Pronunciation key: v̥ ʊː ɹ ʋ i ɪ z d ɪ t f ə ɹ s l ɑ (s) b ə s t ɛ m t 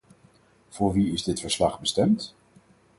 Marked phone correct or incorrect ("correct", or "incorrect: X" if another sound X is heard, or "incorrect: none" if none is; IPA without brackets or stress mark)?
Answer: incorrect: χ